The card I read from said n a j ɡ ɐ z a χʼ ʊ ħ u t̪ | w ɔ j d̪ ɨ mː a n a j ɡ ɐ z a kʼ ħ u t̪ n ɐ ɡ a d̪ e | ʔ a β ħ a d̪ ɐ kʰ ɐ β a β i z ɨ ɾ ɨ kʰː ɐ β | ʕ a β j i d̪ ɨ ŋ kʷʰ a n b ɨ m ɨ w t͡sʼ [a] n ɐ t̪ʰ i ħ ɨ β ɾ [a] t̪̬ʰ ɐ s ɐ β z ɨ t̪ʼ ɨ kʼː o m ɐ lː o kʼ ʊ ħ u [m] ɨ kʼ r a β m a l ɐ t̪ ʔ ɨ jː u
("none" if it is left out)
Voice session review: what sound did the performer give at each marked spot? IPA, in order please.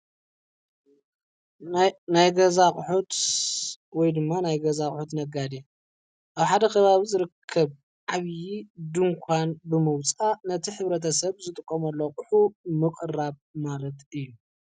a, ɐ, m

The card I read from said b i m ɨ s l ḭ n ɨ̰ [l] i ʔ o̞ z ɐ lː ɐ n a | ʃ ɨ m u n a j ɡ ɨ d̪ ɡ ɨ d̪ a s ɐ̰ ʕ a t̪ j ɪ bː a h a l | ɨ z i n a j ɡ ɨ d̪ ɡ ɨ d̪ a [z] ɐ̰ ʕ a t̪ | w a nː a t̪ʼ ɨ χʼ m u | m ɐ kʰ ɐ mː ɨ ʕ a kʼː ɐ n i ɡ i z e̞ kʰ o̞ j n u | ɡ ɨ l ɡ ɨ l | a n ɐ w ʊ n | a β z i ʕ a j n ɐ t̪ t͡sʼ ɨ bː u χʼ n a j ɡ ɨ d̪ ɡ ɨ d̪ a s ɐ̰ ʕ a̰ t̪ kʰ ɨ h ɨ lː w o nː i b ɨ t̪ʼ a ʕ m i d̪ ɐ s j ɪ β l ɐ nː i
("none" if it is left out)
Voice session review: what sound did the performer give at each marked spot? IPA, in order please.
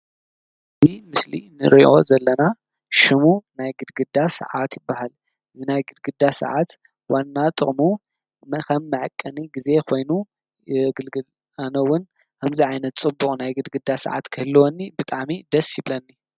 ɾ, s

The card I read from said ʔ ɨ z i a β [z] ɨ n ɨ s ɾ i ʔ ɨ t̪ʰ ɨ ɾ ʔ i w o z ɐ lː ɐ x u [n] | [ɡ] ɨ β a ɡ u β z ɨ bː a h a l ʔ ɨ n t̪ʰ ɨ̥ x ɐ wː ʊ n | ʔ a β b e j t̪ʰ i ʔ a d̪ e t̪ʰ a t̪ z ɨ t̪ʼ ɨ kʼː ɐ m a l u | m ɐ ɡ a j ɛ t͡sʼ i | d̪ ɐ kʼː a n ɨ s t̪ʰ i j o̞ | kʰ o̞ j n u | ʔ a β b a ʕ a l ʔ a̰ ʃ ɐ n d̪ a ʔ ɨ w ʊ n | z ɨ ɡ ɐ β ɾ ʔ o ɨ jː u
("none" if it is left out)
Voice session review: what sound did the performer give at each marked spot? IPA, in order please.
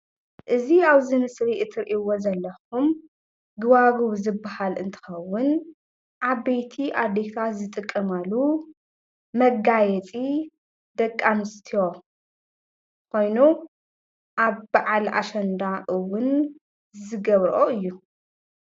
z, m, ɡ

